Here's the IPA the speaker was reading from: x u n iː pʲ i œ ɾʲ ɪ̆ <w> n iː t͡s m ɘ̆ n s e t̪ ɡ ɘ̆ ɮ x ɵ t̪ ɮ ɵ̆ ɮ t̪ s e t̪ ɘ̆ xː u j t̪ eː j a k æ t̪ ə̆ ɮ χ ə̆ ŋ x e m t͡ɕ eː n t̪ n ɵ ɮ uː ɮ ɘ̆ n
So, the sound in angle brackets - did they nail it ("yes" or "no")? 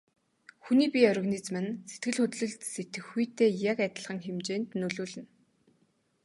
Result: no